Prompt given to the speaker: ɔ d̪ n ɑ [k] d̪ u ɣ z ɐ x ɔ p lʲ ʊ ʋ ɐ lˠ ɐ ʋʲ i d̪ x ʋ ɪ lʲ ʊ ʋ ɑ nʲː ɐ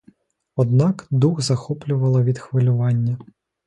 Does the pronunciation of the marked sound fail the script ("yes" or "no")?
no